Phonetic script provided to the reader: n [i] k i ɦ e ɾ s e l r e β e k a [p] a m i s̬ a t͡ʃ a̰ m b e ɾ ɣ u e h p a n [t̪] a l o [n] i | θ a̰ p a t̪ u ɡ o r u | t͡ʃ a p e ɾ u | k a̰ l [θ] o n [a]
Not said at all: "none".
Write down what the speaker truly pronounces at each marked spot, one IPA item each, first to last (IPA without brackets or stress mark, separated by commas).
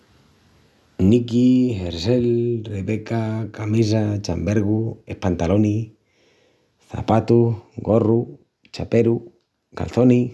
i, k, t̪, n, θ, i